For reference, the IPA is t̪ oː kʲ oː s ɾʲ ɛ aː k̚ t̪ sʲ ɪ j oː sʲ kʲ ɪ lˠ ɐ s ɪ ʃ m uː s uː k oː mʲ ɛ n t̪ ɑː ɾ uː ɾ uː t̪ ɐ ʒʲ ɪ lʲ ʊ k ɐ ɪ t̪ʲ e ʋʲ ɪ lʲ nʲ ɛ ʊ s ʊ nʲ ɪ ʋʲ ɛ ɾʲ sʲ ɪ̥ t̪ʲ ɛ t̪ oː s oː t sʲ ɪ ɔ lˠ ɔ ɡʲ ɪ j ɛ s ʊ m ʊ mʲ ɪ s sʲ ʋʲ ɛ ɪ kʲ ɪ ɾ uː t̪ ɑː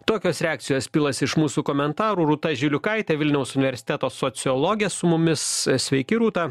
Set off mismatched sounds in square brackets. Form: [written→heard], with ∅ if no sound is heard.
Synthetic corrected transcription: t̪ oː kʲ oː s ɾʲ ɛ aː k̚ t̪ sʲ ɪ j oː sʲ [kʲ→pʲ] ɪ lˠ ɐ s ɪ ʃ m uː s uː k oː mʲ ɛ n t̪ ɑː ɾ uː ɾ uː t̪ ɐ ʒʲ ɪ lʲ ʊ k ɐ ɪ t̪ʲ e ʋʲ ɪ lʲ nʲ ɛ ʊ s ʊ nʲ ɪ ʋʲ ɛ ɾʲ sʲ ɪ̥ t̪ʲ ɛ t̪ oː s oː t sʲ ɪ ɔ lˠ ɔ ɡʲ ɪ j ɛ s ʊ m ʊ mʲ ɪ s sʲ ʋʲ ɛ ɪ kʲ ɪ ɾ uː t̪ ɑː